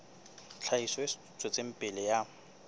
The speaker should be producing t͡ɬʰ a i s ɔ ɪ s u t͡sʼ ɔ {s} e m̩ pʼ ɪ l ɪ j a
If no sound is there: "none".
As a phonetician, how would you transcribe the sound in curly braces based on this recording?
t͡s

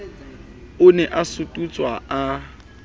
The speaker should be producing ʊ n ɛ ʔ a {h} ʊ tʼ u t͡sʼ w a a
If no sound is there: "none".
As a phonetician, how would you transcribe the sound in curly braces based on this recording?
s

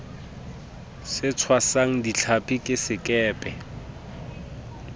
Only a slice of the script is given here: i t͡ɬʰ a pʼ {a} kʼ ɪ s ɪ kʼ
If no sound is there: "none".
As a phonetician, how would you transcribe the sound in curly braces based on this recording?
i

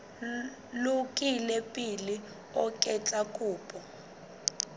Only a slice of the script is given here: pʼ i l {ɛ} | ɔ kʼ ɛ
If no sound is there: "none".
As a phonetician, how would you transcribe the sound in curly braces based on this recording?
i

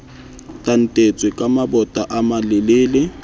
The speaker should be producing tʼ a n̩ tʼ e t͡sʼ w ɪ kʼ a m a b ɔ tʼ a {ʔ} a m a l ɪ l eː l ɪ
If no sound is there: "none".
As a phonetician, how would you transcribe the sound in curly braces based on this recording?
ʔ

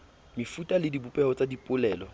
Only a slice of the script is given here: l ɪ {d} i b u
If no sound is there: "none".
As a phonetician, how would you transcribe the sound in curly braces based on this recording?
d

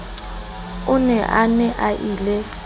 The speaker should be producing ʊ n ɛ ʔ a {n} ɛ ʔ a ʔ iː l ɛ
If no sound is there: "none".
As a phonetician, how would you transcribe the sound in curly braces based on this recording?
n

